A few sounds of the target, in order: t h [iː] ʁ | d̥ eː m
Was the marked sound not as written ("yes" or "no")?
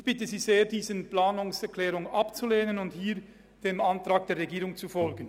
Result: no